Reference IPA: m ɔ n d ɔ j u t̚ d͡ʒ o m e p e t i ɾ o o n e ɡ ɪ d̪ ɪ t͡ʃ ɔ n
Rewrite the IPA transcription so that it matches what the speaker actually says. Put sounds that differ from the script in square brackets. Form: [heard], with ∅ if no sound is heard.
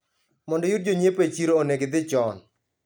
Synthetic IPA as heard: m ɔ n d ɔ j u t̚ d͡ʒ o [ɲ] e p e [t͡ʃ] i ɾ o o n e ɡ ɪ d̪ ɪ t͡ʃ ɔ n

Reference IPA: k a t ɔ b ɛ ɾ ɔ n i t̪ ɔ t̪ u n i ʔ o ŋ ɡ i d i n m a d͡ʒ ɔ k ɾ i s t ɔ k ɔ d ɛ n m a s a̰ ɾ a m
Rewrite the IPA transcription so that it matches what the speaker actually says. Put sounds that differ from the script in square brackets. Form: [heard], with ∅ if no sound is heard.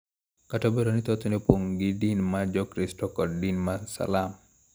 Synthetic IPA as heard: k a t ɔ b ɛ ɾ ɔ n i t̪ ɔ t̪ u n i [p] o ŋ ɡ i d i n m a d͡ʒ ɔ k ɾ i s t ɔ k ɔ d [i] n m a s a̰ [l] a m

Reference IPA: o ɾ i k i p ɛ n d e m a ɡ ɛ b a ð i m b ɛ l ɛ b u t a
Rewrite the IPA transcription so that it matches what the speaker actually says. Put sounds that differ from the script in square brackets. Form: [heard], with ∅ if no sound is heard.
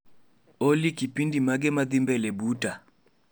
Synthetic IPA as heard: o [l] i k i p [i] n d [i] m a ɡ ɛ [m] a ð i m b ɛ l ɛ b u t a

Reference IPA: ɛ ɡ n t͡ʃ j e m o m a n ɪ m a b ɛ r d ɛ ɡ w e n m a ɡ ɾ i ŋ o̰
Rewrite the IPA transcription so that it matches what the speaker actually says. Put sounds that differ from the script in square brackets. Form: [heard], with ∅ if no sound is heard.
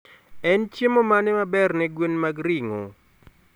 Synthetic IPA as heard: ɛ [∅] n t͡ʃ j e m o m a n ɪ m a b ɛ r [n] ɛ ɡ w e n m a ɡ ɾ i ŋ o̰

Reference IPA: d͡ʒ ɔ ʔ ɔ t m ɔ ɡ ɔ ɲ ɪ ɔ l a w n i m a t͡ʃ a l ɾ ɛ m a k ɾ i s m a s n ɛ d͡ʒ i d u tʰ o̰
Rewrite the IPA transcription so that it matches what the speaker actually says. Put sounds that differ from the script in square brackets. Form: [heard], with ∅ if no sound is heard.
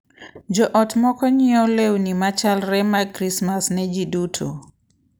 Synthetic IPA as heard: d͡ʒ ɔ ʔ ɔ t m ɔ [k] ɔ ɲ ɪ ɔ l [e] w n i m a t͡ʃ a l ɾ ɛ m a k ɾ i s m a s n ɛ d͡ʒ i d u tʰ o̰

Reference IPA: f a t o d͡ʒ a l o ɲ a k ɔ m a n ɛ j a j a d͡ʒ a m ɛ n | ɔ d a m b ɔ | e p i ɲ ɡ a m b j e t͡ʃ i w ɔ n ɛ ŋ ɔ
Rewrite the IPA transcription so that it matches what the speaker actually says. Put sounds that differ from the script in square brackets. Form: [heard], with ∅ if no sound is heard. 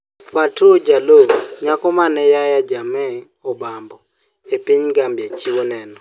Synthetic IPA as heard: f a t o d͡ʒ a l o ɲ a k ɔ m a n ɛ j a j a d͡ʒ a m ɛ [∅] | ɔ [b] a m b ɔ | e p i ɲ ɡ a m b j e t͡ʃ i w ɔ n ɛ [n] ɔ

